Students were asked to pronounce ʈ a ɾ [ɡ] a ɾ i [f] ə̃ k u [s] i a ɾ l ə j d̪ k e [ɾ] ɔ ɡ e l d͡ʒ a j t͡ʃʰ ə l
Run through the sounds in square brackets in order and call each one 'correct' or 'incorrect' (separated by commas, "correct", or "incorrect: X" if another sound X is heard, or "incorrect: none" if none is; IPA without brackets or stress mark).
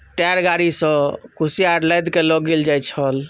correct, incorrect: s, correct, incorrect: l